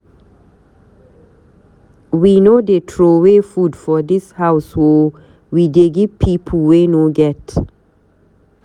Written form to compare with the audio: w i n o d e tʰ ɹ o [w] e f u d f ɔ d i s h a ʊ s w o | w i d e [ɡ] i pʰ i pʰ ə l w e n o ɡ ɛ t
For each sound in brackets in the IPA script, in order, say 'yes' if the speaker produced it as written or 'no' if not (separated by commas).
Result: yes, yes